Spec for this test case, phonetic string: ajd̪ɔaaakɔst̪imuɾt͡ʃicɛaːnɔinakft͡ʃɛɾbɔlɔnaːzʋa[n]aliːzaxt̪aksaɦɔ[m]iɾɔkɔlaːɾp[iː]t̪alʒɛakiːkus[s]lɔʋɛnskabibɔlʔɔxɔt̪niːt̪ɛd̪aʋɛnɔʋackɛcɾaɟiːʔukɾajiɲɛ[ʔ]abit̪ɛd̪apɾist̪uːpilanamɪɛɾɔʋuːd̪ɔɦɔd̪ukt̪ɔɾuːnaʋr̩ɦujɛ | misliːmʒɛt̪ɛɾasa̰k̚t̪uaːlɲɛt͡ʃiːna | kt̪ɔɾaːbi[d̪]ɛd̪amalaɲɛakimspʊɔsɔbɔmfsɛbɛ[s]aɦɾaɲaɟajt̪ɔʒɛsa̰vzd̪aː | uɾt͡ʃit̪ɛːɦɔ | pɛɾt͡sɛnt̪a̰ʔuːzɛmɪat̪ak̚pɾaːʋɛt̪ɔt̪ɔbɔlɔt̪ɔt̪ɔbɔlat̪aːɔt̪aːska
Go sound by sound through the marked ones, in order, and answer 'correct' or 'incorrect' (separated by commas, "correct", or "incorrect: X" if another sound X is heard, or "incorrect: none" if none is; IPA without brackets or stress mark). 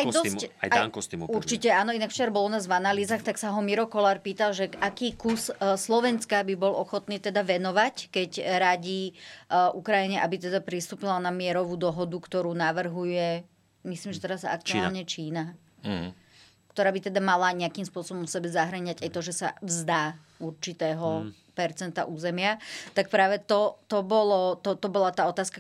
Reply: correct, correct, correct, correct, correct, incorrect: t̪, incorrect: z